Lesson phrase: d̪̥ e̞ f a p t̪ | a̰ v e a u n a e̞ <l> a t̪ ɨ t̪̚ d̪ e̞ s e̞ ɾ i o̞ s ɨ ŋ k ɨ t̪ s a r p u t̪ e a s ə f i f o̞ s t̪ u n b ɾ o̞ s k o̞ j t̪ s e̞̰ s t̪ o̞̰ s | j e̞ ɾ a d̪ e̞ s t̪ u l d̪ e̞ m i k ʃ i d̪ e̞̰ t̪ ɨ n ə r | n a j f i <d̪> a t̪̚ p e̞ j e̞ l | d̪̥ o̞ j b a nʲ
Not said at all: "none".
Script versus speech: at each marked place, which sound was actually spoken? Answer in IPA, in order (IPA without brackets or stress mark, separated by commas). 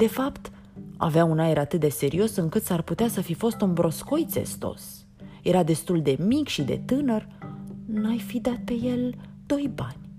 ɾ, d̪